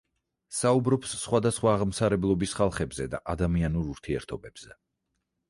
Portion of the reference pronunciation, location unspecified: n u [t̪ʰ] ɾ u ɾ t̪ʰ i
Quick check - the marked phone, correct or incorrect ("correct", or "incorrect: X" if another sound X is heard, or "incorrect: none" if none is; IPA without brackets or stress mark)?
incorrect: none